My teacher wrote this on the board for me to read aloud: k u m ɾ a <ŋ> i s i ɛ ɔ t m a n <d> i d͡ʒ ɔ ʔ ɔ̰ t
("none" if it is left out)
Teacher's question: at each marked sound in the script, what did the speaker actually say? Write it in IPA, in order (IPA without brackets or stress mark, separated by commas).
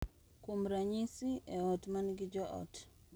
ɲ, ɡ